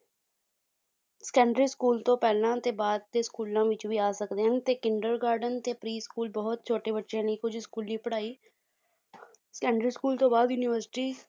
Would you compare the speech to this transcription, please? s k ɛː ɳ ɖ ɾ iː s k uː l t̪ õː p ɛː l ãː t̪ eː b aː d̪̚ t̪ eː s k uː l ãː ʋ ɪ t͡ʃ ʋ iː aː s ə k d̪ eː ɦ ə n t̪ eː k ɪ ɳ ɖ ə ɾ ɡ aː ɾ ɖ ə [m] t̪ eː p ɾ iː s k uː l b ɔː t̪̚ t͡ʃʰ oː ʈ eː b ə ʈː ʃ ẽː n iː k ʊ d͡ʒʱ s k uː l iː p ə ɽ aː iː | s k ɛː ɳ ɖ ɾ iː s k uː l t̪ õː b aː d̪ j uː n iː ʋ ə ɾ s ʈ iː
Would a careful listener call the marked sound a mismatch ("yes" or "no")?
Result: yes